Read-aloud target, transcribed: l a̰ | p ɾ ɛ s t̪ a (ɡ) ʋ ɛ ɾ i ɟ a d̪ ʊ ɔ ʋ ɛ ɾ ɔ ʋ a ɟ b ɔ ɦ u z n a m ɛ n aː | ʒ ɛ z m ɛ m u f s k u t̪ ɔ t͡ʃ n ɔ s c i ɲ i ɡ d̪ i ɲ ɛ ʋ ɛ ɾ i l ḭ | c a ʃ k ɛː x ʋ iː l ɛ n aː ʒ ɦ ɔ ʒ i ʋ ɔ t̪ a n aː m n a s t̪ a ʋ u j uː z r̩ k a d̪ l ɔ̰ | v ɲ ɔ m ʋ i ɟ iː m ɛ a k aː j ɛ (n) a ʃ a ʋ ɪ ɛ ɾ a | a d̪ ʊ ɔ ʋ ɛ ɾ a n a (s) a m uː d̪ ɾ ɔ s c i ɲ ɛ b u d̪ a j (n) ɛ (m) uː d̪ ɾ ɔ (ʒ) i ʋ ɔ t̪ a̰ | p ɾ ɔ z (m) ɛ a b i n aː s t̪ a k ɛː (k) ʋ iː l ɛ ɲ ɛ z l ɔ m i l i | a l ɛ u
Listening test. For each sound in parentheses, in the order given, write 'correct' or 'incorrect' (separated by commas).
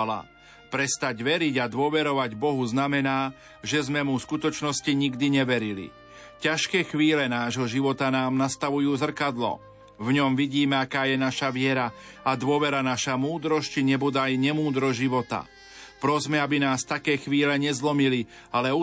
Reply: incorrect, correct, incorrect, incorrect, correct, correct, correct, incorrect